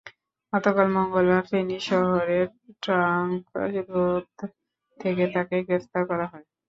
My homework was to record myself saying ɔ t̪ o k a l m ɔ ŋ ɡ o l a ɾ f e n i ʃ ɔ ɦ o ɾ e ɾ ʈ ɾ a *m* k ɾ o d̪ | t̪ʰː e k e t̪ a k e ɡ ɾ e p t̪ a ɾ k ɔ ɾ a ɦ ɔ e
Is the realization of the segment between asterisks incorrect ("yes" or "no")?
yes